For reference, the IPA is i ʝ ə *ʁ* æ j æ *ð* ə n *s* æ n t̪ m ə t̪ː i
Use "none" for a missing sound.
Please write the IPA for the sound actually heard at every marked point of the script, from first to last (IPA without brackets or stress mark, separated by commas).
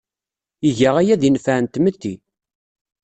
ʁ, ð, f